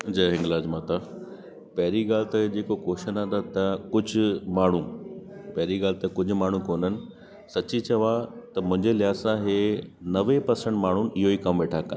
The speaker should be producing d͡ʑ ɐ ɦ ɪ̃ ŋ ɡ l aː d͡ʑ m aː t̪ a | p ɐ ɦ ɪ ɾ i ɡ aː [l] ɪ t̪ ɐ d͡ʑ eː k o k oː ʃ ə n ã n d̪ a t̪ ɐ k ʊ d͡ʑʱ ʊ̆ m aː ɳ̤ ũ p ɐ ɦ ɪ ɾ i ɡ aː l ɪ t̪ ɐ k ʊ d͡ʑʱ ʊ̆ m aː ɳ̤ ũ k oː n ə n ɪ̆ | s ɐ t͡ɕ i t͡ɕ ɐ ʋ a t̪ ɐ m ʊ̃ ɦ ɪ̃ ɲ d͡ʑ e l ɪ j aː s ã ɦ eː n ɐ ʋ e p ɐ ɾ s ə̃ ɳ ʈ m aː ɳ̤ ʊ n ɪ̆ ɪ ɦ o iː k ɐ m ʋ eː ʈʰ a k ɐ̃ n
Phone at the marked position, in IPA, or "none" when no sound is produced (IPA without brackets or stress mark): l